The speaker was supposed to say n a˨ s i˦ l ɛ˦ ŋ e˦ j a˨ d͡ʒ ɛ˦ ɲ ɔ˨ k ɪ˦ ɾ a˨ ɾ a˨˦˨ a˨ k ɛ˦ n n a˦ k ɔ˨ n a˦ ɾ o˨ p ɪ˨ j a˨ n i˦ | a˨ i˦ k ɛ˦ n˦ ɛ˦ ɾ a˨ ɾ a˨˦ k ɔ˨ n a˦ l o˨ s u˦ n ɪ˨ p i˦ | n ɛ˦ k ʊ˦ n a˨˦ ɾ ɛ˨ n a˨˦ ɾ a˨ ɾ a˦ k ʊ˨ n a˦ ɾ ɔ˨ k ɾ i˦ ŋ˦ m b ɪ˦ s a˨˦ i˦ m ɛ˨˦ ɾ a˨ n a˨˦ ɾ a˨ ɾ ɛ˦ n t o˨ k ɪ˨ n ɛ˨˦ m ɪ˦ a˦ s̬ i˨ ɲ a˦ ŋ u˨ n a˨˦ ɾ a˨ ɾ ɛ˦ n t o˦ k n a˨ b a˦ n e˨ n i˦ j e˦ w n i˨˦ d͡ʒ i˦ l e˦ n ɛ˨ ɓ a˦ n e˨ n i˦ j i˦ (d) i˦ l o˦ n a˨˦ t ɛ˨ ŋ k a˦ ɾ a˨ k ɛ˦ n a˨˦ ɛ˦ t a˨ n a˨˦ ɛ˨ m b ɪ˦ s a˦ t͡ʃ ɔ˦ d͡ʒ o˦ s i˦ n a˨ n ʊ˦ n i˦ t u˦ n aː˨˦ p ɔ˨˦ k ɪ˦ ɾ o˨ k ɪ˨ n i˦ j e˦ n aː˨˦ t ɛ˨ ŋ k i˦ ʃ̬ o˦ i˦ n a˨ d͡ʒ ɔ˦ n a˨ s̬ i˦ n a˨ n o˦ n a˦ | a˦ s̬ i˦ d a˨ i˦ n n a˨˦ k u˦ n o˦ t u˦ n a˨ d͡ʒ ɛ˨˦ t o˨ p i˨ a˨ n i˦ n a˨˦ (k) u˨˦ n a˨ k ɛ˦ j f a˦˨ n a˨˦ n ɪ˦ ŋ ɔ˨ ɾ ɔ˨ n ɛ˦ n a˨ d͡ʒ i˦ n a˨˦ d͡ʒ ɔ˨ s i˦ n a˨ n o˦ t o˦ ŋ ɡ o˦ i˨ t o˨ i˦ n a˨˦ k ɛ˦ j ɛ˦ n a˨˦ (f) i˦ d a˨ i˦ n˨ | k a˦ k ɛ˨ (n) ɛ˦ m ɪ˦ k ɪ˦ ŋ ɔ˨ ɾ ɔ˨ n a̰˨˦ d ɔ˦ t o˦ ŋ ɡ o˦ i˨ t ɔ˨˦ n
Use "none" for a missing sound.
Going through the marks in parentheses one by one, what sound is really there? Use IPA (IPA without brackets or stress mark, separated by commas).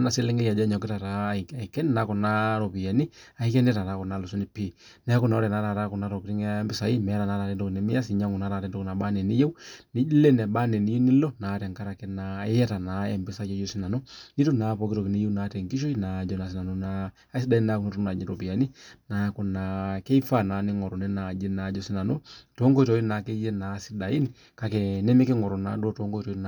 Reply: n, k, s, n